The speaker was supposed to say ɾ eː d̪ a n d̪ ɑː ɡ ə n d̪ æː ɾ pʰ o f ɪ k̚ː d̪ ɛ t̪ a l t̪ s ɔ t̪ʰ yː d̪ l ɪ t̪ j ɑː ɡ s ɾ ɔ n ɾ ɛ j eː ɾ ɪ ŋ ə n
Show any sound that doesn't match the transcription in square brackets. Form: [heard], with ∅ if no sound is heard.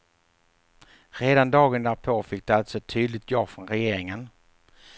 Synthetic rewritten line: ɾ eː d̪ a n d̪ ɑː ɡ ə n d̪ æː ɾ pʰ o f ɪ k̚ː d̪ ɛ [∅] a l t̪ s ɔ t̪ʰ yː d̪ l ɪ t̪ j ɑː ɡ [f] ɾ ɔ n ɾ ɛ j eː ɾ ɪ ŋ ə n